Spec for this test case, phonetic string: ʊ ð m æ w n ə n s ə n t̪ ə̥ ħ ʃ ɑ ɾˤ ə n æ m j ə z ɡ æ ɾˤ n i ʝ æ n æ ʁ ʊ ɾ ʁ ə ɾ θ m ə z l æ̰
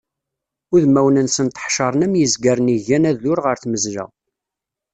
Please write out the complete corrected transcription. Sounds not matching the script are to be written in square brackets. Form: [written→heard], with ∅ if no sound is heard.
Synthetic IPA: ʊ ð m æ w n ə n s ə n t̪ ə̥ ħ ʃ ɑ ɾˤ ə n æ m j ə z ɡ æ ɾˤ n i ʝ æ n æ [ʁ→ð] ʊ ɾ ʁ ə ɾ θ m ə z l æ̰